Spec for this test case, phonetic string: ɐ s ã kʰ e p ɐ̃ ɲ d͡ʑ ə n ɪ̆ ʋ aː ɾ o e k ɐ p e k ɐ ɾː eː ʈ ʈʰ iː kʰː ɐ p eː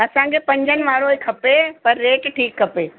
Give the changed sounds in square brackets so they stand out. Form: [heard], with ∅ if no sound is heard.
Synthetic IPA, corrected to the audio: ɐ s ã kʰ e p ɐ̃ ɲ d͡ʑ ə n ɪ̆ ʋ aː ɾ o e [kʰ] ɐ p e [p] ɐ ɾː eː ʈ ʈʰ iː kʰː ɐ p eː